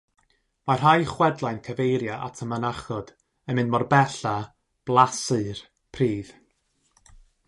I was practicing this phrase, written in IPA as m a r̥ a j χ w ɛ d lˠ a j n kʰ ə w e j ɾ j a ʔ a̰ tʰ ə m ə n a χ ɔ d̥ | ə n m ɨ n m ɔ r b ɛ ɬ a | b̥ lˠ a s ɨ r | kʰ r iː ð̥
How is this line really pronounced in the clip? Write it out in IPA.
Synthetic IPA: m a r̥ a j χ w ɛ d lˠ a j n kʰ ə v e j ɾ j a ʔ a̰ tʰ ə m ə n a χ ɔ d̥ | ə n m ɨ n m ɔ r b ɛ ɬ a | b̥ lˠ a s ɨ r | pʰ r iː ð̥